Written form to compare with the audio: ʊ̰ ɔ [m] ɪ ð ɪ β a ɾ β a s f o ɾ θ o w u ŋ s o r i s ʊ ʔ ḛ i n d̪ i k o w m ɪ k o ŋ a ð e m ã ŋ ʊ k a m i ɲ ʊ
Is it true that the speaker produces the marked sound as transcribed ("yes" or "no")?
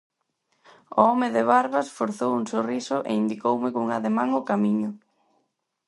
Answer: yes